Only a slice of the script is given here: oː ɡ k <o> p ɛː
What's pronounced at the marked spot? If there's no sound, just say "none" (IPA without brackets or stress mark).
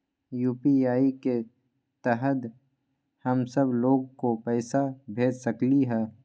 o